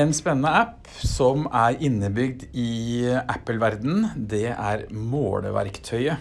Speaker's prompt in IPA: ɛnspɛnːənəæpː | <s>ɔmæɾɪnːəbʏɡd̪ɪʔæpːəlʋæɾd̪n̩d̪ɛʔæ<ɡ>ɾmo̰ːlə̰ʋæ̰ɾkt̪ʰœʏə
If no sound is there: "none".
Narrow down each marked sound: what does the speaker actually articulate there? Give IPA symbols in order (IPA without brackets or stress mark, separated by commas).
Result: s, none